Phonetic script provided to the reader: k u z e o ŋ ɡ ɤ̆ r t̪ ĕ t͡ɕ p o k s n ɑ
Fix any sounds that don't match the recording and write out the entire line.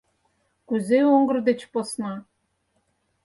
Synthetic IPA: k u z e o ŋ ɡ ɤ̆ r d̪ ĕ t͡ɕ p o s n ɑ